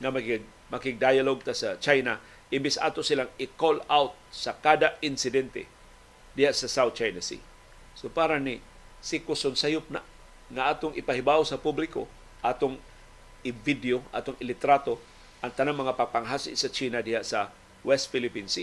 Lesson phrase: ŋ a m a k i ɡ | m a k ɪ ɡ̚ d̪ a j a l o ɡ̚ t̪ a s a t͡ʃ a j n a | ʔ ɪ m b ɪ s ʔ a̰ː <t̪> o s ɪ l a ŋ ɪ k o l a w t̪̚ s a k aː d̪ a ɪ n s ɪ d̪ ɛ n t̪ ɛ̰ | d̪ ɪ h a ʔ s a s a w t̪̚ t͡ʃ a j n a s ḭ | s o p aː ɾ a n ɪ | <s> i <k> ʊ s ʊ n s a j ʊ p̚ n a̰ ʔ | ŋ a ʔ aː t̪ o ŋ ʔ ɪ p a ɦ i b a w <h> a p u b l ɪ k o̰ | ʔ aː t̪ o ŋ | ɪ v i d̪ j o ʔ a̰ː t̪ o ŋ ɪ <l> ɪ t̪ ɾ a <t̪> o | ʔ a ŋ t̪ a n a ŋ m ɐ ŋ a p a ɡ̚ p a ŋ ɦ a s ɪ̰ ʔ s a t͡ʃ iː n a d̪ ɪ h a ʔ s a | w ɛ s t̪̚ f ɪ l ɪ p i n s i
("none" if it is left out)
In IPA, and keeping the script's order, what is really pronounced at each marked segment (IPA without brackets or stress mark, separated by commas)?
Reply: t̪, s, k, s, l, t̪